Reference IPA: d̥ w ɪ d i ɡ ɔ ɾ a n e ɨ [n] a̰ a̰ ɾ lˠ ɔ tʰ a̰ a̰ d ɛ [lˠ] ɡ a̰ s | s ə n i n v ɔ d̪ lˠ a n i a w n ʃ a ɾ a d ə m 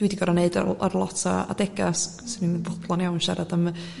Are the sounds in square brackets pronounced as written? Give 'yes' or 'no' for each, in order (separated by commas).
no, no